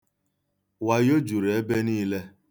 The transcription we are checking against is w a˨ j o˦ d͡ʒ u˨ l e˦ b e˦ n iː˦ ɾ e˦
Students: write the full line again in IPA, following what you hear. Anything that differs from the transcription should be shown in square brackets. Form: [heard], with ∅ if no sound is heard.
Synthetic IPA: w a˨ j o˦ d͡ʒ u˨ [ɾ] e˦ b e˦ n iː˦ [l] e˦